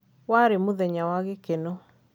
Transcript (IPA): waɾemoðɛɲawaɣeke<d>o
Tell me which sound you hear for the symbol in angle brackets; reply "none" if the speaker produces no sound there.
n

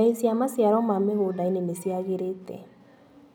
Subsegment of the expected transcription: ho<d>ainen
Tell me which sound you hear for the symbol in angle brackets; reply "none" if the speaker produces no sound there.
d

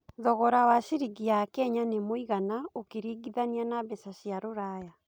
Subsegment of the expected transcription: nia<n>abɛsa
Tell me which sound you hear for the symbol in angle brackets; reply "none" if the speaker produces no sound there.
n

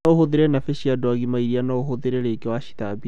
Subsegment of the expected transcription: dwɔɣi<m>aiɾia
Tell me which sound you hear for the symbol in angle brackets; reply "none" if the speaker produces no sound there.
m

